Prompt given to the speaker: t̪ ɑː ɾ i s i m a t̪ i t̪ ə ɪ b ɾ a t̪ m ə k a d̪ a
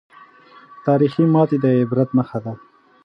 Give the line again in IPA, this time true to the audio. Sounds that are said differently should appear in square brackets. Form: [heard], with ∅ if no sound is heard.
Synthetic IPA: t̪ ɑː ɾ i [x] i m [ɑ] t̪ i [d̪] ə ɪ b ɾ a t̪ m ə [x] a d̪ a